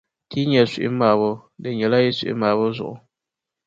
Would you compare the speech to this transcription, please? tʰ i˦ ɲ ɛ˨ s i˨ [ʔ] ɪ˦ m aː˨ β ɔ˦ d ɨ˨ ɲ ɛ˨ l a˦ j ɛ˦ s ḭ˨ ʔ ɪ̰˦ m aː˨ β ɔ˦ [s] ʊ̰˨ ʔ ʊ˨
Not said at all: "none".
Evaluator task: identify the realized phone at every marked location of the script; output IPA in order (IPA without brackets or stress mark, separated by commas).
ʔ, z